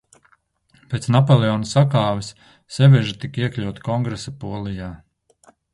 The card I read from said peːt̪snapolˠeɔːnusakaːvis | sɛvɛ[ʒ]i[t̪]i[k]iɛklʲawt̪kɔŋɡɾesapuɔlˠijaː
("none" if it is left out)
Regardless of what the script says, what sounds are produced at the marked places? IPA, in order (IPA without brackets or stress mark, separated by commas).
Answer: ʒ, t̪, k